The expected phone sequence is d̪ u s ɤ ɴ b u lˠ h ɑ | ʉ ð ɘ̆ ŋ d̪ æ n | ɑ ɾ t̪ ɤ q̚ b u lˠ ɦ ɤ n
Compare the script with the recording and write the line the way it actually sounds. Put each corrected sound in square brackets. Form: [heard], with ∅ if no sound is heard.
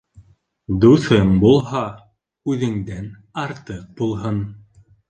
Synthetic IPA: d̪ u [θ] ɤ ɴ b u lˠ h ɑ | ʉ ð ɘ̆ ŋ d̪ æ n | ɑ ɾ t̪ ɤ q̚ b u lˠ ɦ ɤ n